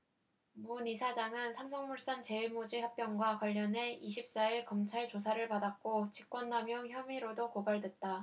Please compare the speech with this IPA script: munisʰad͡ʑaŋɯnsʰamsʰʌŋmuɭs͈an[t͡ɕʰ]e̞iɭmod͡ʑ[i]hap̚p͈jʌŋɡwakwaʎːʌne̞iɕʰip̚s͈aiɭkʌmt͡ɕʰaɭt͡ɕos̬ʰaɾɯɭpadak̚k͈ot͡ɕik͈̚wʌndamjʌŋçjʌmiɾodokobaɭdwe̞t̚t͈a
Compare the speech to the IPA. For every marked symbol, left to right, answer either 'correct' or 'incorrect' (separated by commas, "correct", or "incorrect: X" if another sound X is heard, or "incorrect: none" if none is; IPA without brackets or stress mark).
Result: incorrect: t͡ɕ, correct